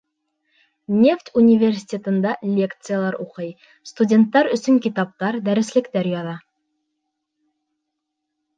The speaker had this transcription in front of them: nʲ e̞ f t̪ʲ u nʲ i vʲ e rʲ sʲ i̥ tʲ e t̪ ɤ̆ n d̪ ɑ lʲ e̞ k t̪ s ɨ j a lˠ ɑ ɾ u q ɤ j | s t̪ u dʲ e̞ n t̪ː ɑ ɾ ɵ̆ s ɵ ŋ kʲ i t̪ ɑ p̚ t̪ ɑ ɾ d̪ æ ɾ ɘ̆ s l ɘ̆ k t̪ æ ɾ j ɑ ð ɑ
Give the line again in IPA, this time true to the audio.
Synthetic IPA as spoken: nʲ e̞ f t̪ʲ u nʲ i vʲ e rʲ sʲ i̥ tʲ e t̪ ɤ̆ n d̪ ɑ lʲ e̞ k t̪ s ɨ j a lˠ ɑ ɾ u q ɤ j | s t̪ u dʲ e̞ n t̪ː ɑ ɾ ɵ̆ s ɵ ŋ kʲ i t̪ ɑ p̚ t̪ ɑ ɾ d̪ æ ɾ ɘ̆ s l ɘ̆ k t̪ æ ɾ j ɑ ð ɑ